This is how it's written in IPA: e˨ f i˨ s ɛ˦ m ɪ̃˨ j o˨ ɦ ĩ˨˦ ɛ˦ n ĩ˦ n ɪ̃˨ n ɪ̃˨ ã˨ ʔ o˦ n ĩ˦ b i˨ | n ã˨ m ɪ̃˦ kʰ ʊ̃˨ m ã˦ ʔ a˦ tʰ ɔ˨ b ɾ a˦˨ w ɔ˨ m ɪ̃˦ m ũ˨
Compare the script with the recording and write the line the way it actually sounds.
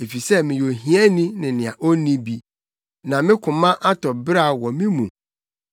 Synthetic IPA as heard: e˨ f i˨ s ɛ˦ m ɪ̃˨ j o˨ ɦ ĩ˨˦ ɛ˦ n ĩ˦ n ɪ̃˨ n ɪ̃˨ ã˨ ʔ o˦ n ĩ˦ b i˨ | n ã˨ m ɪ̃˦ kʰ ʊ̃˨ m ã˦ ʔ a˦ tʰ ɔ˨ b ɾ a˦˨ w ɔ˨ m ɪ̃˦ m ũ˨